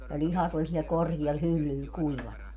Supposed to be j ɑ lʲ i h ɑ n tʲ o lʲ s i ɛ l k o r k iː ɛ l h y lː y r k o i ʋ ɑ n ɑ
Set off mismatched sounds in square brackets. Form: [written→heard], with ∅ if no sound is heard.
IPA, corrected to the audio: j ɑ lʲ i h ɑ [n→∅] tʲ o lʲ s i ɛ l k o r k [iː→i] ɛ l h y lː y [r→l] k [o→u] i ʋ ɑ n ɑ